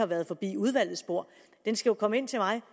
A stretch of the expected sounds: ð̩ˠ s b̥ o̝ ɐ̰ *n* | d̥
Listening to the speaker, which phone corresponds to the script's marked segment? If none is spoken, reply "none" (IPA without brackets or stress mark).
none